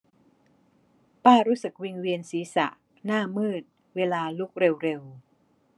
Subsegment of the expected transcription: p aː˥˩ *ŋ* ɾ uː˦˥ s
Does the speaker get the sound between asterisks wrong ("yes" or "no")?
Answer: yes